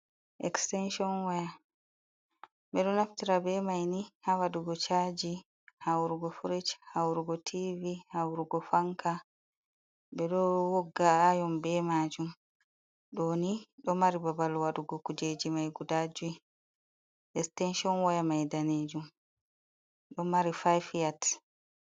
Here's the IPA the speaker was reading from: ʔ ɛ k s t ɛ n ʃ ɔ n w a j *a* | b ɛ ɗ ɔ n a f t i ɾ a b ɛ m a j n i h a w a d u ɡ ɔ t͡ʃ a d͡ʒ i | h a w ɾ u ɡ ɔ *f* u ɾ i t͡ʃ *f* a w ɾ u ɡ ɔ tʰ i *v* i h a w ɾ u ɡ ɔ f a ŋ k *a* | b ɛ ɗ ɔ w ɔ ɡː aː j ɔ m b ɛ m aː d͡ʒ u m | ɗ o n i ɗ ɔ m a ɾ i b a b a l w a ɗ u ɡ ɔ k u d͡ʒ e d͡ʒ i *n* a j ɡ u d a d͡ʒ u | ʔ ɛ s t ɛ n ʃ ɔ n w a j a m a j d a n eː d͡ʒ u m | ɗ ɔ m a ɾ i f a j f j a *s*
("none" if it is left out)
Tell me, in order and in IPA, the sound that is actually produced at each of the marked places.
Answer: a, f, h, v, a, m, t

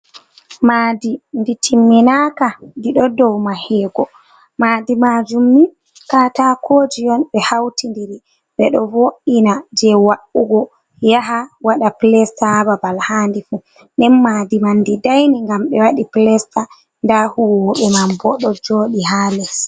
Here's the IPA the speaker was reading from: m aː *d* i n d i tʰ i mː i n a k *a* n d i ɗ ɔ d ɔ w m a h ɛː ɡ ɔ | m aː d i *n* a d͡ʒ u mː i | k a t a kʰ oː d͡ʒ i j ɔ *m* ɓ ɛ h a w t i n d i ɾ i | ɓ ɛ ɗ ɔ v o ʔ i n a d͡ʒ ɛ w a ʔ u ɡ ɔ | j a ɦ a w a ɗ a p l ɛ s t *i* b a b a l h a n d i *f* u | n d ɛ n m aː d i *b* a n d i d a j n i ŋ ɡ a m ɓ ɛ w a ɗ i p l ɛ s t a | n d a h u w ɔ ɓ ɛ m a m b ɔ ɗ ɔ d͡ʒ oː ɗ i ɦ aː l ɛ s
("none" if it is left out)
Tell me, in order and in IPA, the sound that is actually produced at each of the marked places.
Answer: d, a, m, n, a, f, m

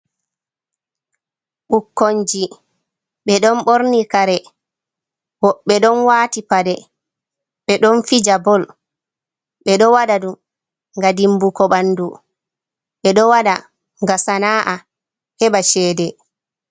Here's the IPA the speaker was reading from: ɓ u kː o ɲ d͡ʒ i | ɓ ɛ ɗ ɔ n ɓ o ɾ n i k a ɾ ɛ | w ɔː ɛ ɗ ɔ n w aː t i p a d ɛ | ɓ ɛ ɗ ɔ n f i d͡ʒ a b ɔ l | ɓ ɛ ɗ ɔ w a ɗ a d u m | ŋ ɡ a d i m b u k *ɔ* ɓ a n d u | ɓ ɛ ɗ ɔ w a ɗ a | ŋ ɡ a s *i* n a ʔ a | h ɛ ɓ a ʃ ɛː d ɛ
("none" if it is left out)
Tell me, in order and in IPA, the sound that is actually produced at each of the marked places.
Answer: ɔ, a

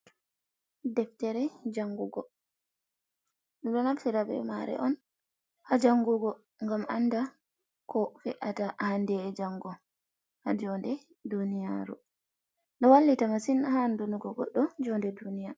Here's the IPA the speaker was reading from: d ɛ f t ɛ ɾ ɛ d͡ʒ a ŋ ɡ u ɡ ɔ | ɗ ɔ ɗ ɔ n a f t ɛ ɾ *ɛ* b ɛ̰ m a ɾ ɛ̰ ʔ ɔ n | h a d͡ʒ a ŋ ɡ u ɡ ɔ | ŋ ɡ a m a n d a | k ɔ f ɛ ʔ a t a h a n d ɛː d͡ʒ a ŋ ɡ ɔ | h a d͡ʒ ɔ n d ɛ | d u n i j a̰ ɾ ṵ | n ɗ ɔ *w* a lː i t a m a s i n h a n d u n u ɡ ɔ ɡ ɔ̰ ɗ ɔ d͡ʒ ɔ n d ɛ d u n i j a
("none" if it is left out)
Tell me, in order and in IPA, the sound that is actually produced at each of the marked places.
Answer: a, w

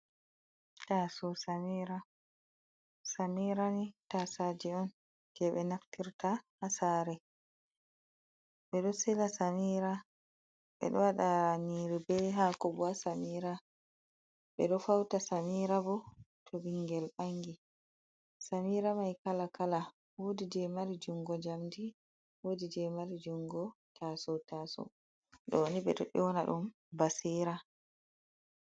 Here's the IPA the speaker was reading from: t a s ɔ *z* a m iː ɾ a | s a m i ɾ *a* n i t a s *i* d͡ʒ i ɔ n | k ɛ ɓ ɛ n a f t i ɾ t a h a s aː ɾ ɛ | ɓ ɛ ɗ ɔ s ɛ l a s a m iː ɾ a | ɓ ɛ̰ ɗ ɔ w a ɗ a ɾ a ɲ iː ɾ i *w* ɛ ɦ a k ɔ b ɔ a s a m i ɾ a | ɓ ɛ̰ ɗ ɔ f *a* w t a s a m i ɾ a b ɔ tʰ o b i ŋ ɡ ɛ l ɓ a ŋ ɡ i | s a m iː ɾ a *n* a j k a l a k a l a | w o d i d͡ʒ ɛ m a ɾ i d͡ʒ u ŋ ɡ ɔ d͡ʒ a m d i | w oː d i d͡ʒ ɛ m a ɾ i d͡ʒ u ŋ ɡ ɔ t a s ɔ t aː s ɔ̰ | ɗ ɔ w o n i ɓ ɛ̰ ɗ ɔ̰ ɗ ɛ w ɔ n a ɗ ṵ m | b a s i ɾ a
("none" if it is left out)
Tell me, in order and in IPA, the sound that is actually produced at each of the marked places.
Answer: s, a, a, b, a, m

